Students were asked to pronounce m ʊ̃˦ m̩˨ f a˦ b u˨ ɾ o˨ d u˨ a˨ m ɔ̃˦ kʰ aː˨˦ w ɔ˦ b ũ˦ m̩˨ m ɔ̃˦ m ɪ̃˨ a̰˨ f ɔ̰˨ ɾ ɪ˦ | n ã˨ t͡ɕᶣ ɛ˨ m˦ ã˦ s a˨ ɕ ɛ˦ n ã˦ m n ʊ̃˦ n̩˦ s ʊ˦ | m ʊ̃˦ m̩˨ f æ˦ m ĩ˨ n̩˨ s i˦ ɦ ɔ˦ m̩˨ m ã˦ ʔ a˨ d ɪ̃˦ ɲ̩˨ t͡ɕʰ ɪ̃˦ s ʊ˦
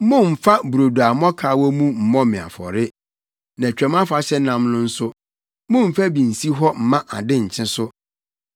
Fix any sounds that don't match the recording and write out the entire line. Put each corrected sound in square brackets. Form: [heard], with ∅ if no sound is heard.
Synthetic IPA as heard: m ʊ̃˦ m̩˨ f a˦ b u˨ ɾ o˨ d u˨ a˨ m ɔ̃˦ kʰ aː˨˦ w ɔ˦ [m] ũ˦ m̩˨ m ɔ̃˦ m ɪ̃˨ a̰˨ f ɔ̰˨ ɾ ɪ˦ | n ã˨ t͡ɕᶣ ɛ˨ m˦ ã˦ [f] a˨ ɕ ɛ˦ n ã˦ m n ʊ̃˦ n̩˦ s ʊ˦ | m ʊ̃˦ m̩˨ f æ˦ [b] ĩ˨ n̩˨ s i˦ ɦ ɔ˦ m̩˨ m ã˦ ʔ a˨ d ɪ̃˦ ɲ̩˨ t͡ɕʰ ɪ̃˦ s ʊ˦